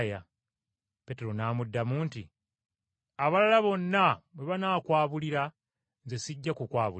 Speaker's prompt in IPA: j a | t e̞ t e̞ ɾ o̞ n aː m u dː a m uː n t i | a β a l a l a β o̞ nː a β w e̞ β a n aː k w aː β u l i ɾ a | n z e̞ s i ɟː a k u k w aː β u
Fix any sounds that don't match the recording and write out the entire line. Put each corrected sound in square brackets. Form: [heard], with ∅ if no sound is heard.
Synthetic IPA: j a | [p] e̞ t e̞ ɾ o̞ n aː m u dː a m uː n t i | a β a l a l a β o̞ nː a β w e̞ β a n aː k w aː β u l i ɾ a | n z e̞ s i ɟː a k u k w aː β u